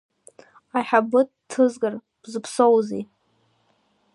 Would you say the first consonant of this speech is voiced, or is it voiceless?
voiceless